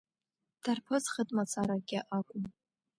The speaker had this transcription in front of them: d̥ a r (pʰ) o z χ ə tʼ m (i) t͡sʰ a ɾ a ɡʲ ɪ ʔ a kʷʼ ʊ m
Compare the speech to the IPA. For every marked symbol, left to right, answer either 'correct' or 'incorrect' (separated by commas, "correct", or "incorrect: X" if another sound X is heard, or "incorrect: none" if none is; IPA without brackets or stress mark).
correct, incorrect: a